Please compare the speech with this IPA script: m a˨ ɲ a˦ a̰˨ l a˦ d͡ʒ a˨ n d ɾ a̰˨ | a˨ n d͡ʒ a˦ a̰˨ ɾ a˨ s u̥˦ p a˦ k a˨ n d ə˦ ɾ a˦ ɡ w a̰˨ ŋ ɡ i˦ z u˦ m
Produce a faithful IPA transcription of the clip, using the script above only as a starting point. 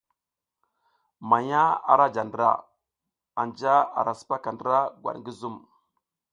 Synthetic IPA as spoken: m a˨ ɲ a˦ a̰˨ ɾ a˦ d͡ʒ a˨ n d ɾ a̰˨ | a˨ n d͡ʒ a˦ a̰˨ ɾ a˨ s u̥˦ p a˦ k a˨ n d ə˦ ɾ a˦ ɡ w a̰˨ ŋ ɡ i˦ z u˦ m